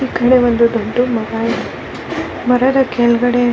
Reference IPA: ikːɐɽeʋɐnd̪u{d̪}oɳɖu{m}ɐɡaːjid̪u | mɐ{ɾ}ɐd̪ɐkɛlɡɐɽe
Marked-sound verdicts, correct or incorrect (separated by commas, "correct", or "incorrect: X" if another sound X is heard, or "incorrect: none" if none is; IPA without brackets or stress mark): correct, correct, correct